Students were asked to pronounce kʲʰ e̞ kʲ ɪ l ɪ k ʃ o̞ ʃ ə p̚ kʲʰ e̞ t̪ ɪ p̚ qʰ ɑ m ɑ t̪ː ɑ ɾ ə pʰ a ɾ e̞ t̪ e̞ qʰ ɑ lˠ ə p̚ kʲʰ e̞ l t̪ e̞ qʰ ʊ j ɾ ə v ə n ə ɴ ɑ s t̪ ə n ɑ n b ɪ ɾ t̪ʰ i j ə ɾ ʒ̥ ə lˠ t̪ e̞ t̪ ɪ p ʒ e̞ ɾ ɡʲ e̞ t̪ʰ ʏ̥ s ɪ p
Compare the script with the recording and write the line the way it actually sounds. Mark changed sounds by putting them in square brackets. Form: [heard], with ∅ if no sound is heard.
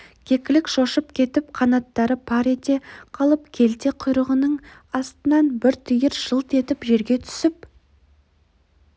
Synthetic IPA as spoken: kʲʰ e̞ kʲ ɪ l ɪ k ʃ o̞ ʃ ə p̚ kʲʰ e̞ t̪ ɪ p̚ qʰ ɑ [n] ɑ t̪ː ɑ ɾ ə pʰ [ɑ] ɾ e̞ t̪ e̞ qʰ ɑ lˠ ə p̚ kʲʰ e̞ l t̪ e̞ qʰ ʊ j ɾ ə [ʁ] ə n ə ɴ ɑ s t̪ ə n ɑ n b ɪ ɾ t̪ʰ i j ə ɾ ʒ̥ ə lˠ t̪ e̞ t̪ ɪ p ʒ e̞ ɾ ɡʲ e̞ t̪ʰ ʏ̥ s ɪ p

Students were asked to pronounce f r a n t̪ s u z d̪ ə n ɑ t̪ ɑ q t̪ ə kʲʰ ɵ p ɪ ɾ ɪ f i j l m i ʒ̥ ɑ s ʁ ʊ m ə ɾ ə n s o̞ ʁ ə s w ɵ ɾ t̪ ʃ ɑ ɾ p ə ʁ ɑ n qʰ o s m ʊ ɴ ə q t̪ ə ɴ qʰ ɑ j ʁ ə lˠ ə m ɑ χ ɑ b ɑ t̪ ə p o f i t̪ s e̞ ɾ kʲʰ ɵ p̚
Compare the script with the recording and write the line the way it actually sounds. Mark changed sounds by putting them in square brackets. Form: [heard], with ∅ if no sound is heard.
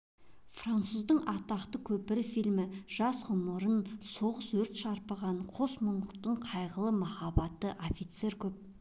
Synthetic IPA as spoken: f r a n t̪ s u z d̪ ə [ɴ] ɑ t̪ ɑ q t̪ ə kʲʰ ɵ p ɪ ɾ ɪ f i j l m [ɪ] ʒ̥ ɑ s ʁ ʊ m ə ɾ ə n s o̞ ʁ ə s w ɵ ɾ t̪ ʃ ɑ ɾ p ə ʁ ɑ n qʰ o s m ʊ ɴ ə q t̪ ə ɴ qʰ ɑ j ʁ ə lˠ ə m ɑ χ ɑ b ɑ t̪ ə [ʔ] o f i t̪ s e̞ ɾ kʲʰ ɵ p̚

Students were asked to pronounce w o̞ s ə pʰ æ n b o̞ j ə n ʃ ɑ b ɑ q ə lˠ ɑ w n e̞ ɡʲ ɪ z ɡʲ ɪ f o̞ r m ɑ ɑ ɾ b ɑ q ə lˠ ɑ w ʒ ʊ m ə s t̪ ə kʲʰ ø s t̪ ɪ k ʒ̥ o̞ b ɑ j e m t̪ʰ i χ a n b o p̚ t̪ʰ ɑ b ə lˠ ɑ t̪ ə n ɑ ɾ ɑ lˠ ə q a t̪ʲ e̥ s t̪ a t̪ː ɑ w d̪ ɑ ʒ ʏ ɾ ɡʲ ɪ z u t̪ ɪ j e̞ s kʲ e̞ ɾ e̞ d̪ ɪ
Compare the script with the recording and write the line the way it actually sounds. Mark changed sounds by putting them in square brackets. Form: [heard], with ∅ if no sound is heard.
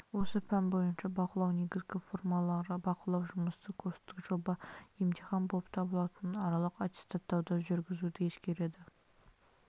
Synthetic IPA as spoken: w o̞ s ə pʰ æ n b o̞ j ə n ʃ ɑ b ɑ q ə lˠ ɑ w n e̞ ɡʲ ɪ z ɡʲ ɪ f o̞ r m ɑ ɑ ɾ b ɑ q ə lˠ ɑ w ʒ ʊ m ə s t̪ ə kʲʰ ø s t̪ ɪ k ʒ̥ o̞ b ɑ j e m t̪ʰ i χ [ɑ] n b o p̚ t̪ʰ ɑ b ə lˠ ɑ t̪ ə n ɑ ɾ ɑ lˠ ə q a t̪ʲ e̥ s t̪ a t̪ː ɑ w d̪ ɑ ʒ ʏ ɾ ɡʲ ɪ z u [d̪] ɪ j e̞ s kʲ e̞ ɾ e̞ d̪ ɪ

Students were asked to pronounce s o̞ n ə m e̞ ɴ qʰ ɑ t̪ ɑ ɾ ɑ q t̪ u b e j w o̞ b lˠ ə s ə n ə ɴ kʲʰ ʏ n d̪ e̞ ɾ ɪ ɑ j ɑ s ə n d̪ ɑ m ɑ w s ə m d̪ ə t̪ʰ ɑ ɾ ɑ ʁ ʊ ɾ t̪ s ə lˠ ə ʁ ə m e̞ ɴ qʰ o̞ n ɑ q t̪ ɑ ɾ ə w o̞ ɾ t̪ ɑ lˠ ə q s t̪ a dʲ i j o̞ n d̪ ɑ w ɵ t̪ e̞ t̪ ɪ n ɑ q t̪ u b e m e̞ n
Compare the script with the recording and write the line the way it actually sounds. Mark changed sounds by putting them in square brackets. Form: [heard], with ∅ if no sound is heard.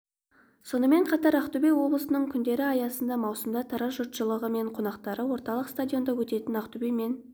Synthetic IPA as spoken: s o̞ n ə m e̞ ɴ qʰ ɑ t̪ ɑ ɾ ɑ q t̪ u b e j w o̞ b lˠ ə s ə n ə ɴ kʲʰ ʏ n d̪ e̞ ɾ ɪ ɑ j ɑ s ə n d̪ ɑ m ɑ w s ə m d̪ [ɑ] t̪ʰ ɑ ɾ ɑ [ʒ] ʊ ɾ t̪ [ʃ] ə lˠ ə ʁ ə m e̞ ɴ qʰ o̞ n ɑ q t̪ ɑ ɾ ə w o̞ ɾ t̪ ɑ lˠ ə q s t̪ a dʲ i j o̞ n d̪ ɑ w ɵ t̪ e̞ t̪ ɪ n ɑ q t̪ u b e m e̞ n

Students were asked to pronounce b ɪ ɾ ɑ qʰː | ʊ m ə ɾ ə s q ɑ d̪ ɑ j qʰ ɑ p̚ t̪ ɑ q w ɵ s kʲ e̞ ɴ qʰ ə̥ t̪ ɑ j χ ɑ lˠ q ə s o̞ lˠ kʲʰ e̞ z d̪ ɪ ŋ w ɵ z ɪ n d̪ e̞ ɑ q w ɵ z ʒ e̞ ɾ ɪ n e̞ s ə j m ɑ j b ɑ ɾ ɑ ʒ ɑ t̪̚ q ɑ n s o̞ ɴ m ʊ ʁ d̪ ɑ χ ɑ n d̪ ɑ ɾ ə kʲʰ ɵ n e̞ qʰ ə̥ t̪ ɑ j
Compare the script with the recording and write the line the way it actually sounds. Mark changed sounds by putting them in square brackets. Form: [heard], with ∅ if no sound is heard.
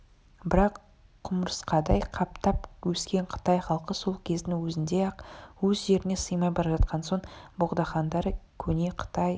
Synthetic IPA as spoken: b ɪ ɾ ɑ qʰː | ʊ m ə ɾ ə s q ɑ d̪ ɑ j qʰ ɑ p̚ t̪ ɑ [p] w ɵ s kʲ e̞ ɴ qʰ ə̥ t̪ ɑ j χ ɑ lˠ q ə s o̞ lˠ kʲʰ e̞ z d̪ ɪ ŋ w ɵ z ɪ n d̪ e̞ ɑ q w ɵ z ʒ e̞ ɾ ɪ n e̞ s ə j m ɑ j b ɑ ɾ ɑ ʒ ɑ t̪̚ q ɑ n s o̞ ɴ [b] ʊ ʁ d̪ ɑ χ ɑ n d̪ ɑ ɾ ə kʲʰ ɵ n e̞ qʰ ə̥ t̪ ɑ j

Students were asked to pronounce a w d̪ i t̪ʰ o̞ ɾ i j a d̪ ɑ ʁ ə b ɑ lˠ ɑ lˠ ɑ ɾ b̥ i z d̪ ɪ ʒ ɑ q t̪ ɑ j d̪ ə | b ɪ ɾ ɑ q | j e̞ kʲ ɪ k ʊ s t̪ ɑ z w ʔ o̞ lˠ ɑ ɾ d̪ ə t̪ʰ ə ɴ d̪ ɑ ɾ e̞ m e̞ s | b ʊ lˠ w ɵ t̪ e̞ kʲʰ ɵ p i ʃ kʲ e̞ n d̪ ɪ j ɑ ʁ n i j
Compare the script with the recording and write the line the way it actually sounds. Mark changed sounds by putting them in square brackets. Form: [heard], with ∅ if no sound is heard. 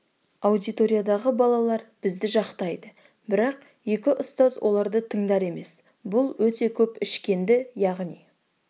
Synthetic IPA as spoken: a w d̪ i [t̪] o̞ ɾ i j a d̪ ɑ ʁ ə b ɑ lˠ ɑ lˠ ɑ ɾ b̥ [ɪ] z d̪ ɪ ʒ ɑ q t̪ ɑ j d̪ ə | b ɪ ɾ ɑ q | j e̞ kʲ ɪ [ʔ] ʊ s t̪ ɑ z w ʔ o̞ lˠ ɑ ɾ d̪ ə t̪ʰ ə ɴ d̪ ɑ ɾ e̞ m e̞ s | b ʊ lˠ w ɵ t̪ e̞ kʲʰ ɵ p [ɪ] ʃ kʲ e̞ n d̪ ɪ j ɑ ʁ n i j

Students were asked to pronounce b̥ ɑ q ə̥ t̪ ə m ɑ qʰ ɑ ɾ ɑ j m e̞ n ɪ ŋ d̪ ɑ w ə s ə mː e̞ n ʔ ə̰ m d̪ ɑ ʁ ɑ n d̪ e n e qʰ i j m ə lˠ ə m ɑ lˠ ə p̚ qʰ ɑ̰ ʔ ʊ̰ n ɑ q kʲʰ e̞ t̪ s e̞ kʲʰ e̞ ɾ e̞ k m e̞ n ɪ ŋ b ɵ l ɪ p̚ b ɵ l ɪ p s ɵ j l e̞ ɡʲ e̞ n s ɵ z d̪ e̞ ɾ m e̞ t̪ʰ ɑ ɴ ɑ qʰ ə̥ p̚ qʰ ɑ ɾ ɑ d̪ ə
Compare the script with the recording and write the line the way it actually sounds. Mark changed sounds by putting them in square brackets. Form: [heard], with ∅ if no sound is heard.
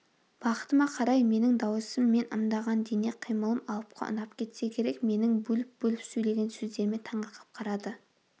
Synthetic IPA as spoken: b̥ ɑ q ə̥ t̪ ə m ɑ qʰ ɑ ɾ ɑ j m e̞ n ɪ ŋ d̪ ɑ w ə s ə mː e̞ n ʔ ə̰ m d̪ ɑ ʁ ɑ n d̪ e n e qʰ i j m ə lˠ ə m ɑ lˠ ə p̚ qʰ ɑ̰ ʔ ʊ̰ n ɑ [p] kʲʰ e̞ t̪ s e̞ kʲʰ e̞ ɾ e̞ k m e̞ n ɪ ŋ b ɵ l ɪ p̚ b ɵ l ɪ p s ɵ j l e̞ ɡʲ e̞ n s ɵ z d̪ e̞ ɾ m e̞ t̪ʰ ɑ ɴ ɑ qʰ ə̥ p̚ qʰ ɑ ɾ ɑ d̪ ə

